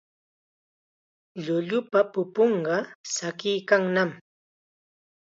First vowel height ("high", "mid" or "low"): high